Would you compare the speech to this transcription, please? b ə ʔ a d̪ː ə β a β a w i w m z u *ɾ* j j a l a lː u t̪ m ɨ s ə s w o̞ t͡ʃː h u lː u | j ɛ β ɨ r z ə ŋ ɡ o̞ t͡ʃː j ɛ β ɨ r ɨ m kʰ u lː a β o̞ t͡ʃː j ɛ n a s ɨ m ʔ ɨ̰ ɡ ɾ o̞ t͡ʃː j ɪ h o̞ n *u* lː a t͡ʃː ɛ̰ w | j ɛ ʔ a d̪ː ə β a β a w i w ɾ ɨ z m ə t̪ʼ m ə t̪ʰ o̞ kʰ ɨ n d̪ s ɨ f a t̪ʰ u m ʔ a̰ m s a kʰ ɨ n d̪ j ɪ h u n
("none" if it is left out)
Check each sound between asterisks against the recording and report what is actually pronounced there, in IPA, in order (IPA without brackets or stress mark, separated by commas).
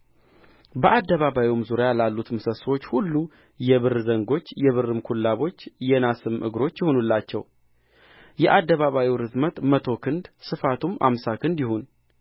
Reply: ɾ, u